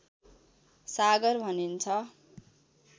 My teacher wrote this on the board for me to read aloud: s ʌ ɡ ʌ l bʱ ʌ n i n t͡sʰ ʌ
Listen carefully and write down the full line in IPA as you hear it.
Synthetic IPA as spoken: s a ɡ ʌ r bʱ ʌ n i n t͡sʰ ʌ